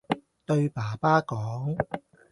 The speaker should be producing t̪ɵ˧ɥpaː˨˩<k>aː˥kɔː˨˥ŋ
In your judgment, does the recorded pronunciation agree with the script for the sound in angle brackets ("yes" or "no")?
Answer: no